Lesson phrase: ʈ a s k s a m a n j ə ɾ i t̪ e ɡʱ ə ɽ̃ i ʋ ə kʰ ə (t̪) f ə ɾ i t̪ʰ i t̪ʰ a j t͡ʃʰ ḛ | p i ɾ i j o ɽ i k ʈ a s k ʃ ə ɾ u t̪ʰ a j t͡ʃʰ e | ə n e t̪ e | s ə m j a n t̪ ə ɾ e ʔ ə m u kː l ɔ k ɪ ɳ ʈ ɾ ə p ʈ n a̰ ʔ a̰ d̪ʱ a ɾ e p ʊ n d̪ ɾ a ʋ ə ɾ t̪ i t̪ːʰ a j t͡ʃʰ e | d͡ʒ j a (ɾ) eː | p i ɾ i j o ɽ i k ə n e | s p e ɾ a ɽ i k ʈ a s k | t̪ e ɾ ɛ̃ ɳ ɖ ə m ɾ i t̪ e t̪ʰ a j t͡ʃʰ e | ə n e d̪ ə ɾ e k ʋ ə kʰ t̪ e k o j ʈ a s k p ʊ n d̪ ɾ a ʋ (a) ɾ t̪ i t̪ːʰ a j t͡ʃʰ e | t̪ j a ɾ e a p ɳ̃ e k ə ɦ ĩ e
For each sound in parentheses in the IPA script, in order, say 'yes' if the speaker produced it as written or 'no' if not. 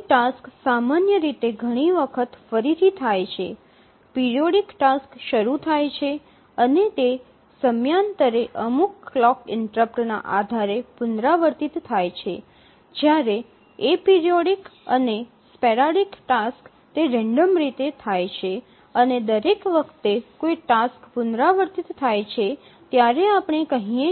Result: yes, yes, no

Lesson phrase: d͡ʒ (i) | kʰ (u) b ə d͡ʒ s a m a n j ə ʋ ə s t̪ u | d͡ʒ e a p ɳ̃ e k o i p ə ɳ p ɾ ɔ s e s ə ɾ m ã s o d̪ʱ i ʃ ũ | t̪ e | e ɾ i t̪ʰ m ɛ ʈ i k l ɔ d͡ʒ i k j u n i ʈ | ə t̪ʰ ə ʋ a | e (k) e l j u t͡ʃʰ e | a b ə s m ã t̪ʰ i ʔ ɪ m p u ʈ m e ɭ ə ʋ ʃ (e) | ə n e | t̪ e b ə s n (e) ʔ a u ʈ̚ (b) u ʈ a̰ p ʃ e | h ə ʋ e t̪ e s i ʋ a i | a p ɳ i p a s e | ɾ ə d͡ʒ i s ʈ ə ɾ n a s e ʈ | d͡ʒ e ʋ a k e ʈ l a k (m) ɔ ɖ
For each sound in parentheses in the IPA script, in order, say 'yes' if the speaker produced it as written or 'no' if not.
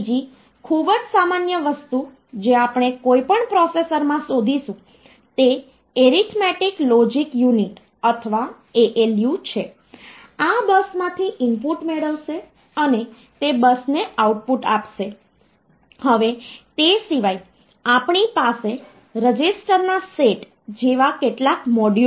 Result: yes, yes, no, yes, yes, no, yes

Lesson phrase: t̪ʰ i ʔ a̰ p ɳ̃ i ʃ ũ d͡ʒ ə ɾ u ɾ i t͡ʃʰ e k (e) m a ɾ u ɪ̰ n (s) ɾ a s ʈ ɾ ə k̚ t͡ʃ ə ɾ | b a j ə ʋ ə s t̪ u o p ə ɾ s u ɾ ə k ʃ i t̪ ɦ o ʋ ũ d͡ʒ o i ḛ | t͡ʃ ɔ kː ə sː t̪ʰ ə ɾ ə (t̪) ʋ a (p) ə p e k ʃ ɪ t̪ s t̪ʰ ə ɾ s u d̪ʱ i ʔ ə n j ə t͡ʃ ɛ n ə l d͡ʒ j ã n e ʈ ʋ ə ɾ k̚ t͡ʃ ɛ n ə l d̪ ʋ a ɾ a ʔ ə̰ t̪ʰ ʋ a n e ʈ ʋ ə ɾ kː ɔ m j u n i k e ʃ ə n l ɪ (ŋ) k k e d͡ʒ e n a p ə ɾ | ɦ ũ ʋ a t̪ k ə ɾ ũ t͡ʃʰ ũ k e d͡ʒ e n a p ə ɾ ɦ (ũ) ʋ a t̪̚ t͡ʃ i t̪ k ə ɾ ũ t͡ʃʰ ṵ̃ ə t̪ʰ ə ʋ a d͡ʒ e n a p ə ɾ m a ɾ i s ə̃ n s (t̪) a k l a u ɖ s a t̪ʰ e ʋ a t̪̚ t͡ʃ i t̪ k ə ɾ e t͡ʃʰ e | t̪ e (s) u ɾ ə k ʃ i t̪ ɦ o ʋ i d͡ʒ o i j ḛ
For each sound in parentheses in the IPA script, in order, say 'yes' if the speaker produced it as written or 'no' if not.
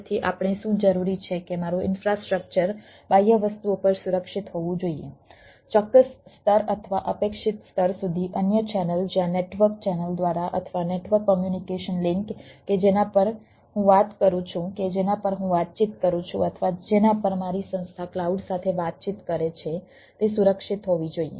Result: yes, no, no, no, yes, yes, no, yes

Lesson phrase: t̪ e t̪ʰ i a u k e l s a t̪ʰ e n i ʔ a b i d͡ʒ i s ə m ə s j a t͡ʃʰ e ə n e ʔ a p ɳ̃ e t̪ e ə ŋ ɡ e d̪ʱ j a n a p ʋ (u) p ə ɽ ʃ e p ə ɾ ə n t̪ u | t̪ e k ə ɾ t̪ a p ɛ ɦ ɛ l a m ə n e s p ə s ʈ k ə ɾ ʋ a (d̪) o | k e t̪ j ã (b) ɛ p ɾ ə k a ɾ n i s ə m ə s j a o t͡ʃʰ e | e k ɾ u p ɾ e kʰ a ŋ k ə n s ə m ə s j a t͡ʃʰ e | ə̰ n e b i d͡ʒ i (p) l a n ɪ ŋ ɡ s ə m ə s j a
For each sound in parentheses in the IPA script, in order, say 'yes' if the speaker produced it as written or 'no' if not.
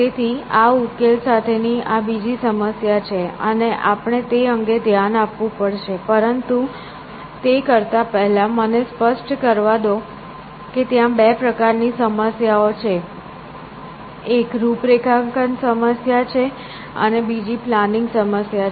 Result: no, yes, yes, yes

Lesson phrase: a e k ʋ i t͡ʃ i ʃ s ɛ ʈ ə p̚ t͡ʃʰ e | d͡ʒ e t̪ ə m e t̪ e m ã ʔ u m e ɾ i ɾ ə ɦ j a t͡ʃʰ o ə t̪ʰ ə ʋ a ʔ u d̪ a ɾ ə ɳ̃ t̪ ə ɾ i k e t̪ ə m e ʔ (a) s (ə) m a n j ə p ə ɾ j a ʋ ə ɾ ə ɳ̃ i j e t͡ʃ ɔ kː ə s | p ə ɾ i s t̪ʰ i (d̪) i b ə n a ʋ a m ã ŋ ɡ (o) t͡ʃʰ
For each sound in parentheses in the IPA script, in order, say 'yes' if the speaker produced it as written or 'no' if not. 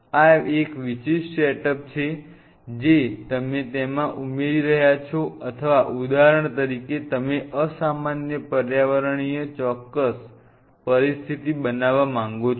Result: no, no, no, yes

